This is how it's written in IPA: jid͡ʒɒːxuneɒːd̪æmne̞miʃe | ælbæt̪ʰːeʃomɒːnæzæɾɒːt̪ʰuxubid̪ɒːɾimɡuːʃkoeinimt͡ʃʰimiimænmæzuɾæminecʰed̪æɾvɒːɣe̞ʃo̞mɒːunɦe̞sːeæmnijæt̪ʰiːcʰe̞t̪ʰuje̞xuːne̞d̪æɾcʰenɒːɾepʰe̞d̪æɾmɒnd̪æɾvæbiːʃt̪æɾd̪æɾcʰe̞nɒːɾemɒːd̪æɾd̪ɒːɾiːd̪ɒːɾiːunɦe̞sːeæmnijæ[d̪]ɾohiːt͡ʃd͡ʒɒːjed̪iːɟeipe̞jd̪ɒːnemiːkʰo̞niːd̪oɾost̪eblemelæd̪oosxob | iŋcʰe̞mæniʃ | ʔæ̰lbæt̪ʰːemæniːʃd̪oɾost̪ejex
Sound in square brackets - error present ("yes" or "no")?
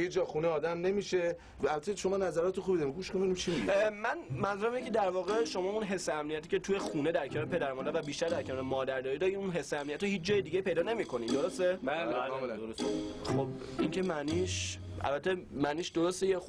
yes